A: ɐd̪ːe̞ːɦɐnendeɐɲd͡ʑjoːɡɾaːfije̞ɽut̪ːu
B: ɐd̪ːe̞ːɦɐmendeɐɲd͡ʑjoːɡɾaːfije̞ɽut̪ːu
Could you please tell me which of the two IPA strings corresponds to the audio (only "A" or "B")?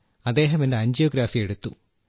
B